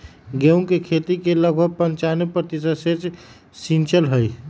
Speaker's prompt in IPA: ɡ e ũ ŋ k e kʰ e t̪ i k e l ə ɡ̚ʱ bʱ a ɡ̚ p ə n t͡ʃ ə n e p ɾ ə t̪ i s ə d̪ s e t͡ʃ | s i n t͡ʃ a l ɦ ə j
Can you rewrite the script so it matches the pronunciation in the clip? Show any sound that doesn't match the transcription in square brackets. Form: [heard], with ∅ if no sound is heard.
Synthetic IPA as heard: ɡ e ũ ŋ k e kʰ e t̪ i k e l ə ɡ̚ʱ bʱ [ə] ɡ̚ p ə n t͡ʃ [a] n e p ɾ ə t̪ i s ə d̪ s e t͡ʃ | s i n t͡ʃ [ə] l ɦ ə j